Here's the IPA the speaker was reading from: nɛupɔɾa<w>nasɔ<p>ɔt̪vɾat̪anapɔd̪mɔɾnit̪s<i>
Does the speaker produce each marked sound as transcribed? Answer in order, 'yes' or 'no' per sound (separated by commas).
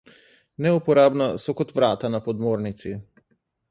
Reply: no, no, yes